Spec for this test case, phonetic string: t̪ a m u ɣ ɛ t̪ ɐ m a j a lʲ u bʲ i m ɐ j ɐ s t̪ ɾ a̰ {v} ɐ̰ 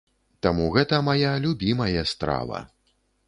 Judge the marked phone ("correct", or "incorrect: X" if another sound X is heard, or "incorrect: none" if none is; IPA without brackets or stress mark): correct